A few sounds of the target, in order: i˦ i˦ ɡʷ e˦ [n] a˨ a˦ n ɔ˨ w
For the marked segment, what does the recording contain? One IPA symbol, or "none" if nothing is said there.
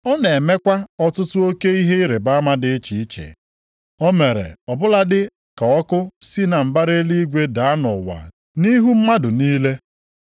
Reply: d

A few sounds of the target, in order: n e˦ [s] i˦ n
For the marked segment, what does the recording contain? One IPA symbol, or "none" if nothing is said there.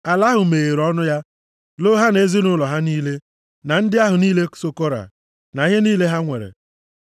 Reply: z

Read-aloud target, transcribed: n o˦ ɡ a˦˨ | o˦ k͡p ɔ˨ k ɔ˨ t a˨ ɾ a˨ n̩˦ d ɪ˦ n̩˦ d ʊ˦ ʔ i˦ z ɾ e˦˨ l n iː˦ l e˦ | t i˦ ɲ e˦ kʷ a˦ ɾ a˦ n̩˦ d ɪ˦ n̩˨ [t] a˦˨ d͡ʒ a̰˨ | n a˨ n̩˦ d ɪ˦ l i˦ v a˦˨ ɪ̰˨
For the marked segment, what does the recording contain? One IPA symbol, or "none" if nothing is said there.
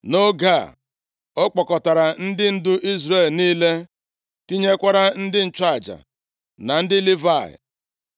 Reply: t͡ʃ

